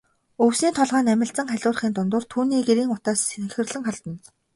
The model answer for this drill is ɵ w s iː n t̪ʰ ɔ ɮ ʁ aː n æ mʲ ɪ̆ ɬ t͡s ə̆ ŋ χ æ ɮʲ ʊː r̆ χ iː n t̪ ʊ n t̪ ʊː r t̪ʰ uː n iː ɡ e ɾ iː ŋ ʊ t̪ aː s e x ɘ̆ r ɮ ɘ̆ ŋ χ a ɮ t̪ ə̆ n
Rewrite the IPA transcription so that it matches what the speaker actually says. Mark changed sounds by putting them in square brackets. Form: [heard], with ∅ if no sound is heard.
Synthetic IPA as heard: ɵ w s iː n t̪ʰ ɔ ɮ ʁ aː n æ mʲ ɪ̆ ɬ t͡s ə̆ ŋ χ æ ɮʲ ʊː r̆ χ iː n t̪ ʊ n t̪ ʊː r t̪ʰ uː n iː ɡ e ɾ iː ŋ ʊ t̪ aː s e x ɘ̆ r ɮ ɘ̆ ŋ χ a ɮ t̪ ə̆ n